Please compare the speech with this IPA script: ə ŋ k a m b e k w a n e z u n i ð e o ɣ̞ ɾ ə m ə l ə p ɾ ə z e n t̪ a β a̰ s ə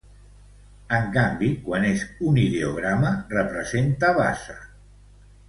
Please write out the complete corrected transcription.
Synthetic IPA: ə ŋ k a m b i k w a n e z u n i ð e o ɣ̞ ɾ a m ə r ə p ɾ ə z e n t̪ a β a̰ s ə